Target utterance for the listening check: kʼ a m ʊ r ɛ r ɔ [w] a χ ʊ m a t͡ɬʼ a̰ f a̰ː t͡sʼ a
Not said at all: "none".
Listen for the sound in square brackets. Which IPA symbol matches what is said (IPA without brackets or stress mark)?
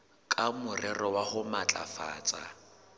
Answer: w